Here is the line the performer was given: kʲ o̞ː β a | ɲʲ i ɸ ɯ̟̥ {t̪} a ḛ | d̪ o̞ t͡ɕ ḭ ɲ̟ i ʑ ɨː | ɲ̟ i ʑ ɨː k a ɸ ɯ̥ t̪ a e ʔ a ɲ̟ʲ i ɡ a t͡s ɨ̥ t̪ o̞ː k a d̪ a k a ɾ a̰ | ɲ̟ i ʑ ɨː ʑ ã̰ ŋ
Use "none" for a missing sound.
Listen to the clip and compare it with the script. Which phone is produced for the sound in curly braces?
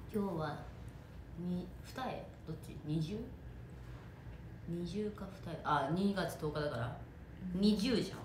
t̪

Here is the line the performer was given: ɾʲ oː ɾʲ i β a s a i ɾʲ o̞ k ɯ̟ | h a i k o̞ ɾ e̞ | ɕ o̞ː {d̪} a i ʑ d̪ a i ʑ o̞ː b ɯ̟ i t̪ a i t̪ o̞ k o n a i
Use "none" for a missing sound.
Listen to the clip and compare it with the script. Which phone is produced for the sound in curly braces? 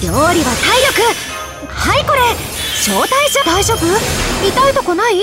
t̪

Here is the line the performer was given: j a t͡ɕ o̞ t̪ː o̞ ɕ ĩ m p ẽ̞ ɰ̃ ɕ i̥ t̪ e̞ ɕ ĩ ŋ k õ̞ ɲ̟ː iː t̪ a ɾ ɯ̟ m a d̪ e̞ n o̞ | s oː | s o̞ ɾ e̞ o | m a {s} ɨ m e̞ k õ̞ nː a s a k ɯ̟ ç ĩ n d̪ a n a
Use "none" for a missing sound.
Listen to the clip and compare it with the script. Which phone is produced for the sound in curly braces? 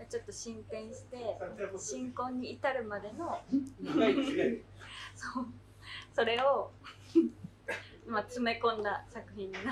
t͡s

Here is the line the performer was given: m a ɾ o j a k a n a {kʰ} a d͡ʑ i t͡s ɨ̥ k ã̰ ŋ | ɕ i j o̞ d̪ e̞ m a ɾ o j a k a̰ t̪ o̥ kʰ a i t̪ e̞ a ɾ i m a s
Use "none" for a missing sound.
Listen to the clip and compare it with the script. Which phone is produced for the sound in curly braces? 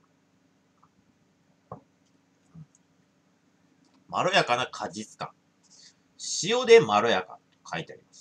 kʰ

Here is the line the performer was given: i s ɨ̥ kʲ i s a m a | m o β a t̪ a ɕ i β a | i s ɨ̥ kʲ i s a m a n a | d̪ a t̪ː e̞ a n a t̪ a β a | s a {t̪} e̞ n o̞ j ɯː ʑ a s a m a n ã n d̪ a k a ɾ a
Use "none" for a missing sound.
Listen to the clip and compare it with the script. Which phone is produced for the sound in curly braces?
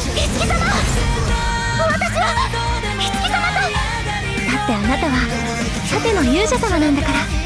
t̪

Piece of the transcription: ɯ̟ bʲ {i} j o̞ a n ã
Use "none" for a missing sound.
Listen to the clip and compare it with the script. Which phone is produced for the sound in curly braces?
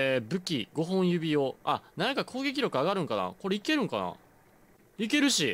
i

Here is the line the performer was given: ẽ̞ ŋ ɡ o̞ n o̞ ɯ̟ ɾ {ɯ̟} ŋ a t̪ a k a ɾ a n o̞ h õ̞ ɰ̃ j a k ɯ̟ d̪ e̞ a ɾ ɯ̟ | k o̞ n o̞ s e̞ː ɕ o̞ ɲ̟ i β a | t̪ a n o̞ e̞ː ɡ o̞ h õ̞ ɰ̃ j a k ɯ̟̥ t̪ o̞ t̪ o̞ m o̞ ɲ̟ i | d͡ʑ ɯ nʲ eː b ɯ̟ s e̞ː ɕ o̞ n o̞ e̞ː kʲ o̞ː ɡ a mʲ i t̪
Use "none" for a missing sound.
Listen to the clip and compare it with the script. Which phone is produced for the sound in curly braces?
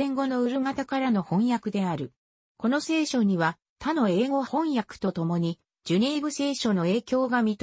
ɯ̟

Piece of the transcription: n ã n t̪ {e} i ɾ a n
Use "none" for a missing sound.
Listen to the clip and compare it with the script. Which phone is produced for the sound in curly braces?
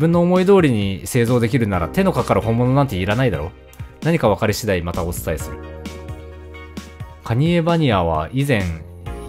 e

